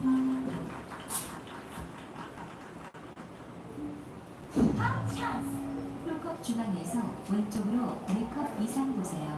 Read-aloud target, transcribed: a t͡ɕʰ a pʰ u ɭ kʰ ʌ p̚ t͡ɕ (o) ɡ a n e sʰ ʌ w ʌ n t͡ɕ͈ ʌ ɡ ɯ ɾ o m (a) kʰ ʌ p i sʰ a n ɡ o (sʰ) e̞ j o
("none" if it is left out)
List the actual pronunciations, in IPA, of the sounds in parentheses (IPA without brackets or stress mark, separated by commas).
u, e, sʰ